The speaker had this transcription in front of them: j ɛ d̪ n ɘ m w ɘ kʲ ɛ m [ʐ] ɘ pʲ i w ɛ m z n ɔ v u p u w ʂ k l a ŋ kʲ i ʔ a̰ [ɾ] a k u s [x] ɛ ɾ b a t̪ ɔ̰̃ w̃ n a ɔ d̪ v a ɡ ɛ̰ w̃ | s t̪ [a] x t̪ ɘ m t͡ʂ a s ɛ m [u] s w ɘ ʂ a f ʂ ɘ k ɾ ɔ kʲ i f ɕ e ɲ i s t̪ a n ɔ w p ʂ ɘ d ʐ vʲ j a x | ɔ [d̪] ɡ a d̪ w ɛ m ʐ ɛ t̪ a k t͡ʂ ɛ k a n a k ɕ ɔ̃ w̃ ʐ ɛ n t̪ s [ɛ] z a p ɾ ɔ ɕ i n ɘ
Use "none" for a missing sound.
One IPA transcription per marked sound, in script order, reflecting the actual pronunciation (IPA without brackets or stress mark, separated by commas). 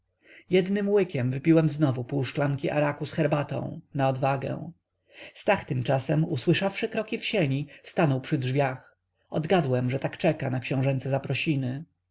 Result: v, ɾ, x, a, u, d̪, ɛ